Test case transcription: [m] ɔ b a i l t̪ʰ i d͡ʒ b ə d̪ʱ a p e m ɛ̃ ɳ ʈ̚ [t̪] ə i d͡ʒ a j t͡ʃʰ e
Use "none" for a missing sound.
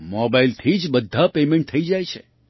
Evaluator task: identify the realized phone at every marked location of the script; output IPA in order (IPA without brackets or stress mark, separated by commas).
m, t̪ʰ